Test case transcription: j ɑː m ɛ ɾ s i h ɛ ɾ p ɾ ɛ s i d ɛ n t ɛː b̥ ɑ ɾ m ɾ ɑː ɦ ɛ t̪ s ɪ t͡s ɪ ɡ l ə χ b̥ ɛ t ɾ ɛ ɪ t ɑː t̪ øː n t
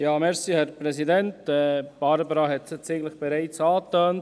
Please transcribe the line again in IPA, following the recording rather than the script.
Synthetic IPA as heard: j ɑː m ɛ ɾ s i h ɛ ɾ p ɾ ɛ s i d ɛ n t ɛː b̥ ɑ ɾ b ɾ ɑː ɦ ɛ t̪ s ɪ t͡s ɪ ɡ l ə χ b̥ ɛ ɾ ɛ ɪ t͡s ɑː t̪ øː n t